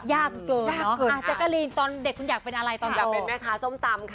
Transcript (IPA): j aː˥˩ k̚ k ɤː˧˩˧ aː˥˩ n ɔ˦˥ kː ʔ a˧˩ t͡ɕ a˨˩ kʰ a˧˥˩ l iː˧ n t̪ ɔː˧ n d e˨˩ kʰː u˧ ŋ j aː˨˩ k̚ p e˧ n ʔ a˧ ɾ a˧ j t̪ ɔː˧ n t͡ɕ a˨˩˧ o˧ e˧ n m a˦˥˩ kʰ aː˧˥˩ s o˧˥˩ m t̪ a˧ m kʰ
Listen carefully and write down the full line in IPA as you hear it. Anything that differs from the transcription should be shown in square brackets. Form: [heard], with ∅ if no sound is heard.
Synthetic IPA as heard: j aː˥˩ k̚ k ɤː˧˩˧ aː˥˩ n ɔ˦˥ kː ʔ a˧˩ t͡ɕ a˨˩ [k] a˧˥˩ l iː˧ n t̪ ɔː˧ n d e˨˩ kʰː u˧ [n] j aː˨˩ k̚ p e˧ n ʔ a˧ ɾ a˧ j t̪ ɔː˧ n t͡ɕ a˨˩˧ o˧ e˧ n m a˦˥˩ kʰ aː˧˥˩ s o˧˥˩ m t̪ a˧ m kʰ